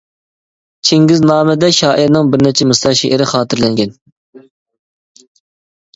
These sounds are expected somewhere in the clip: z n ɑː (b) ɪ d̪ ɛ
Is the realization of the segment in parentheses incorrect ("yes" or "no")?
yes